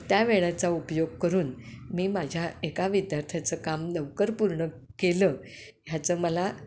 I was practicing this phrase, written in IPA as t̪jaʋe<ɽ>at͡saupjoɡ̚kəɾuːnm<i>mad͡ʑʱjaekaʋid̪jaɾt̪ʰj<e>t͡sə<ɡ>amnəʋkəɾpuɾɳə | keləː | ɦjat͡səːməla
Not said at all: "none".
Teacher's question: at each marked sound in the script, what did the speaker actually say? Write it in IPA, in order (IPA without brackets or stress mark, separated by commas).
ɭ, iː, a, k